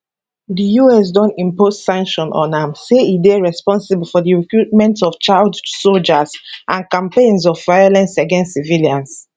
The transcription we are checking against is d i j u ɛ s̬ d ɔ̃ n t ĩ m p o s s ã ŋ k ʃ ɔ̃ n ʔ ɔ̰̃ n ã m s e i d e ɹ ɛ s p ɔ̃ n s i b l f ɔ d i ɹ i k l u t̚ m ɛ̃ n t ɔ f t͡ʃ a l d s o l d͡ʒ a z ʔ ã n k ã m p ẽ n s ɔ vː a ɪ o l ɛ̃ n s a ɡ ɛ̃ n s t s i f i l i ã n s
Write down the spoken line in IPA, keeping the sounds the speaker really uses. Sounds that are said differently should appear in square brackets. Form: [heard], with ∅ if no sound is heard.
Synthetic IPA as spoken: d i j u ɛ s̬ d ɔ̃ n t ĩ m p o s s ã ŋ k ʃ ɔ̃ n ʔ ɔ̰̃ n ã m s e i d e ɹ ɛ s p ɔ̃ n s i b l f ɔ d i ɹ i k [ɹ] u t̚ m ɛ̃ n t ɔ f t͡ʃ a l d s o l d͡ʒ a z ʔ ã n k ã m p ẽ n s ɔ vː a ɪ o l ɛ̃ n s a ɡ ɛ̃ n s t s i [v] i l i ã n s